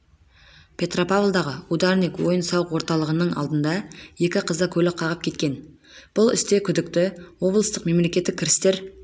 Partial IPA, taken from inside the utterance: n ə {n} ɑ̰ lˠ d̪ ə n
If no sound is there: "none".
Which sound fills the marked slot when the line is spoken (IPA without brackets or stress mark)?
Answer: ɴ